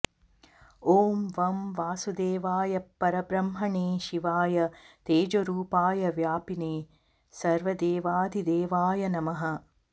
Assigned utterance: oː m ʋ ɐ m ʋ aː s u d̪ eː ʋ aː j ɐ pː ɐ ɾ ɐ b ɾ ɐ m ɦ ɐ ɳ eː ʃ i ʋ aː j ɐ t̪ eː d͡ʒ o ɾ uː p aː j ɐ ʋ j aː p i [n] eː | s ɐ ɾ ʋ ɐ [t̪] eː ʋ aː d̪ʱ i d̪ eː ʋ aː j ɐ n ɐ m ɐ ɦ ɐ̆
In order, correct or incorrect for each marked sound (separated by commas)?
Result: correct, incorrect